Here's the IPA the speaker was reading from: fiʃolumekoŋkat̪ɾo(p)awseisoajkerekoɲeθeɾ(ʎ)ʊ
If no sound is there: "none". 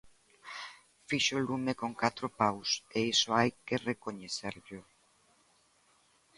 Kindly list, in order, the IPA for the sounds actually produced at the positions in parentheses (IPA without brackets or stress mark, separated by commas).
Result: p, ʎ